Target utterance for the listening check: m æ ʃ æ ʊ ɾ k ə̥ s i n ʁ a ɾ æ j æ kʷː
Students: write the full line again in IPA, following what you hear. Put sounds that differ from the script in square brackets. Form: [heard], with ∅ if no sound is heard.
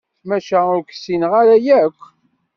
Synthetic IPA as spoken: m æ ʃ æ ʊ ɾ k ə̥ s i n ʁ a ɾ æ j æ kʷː